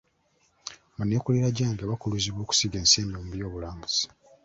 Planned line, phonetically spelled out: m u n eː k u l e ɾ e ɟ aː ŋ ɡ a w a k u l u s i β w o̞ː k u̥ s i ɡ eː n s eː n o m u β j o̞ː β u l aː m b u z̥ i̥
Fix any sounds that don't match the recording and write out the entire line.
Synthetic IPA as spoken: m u n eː k u l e ɾ a ɟ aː ŋ ɡ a β a k u l u z i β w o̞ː k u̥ s i ɡ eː n s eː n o m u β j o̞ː β u l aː m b u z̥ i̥